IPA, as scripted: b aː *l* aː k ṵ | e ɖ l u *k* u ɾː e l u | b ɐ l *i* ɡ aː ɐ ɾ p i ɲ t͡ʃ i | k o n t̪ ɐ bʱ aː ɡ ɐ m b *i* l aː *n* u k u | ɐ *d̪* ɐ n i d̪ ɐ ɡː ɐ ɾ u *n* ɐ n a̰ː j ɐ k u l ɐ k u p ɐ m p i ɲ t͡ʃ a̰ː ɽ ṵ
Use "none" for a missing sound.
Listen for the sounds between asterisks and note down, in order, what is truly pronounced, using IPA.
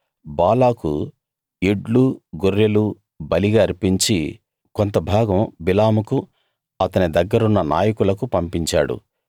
l, ɡ, i, i, m, t̪, nː

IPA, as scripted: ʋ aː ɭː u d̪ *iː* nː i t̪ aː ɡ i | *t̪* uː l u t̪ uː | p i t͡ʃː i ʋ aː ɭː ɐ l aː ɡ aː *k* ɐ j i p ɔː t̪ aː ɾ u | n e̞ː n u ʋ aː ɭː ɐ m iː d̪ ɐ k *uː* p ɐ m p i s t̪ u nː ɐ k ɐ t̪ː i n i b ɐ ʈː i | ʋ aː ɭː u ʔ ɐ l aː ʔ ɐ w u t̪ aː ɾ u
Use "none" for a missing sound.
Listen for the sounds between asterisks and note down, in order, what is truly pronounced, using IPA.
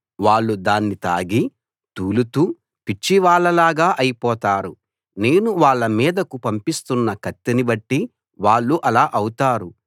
aː, t̪, ʔ, u

